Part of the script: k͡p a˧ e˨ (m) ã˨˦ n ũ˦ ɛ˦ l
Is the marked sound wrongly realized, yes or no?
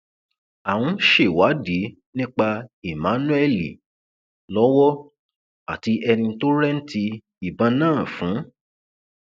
no